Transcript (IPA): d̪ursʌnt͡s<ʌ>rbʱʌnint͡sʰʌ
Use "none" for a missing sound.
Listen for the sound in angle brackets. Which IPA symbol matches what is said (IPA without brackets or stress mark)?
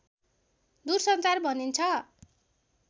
a